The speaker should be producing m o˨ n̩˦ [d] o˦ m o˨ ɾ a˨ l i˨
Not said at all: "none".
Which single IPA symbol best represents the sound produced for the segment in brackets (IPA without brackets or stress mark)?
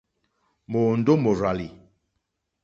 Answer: d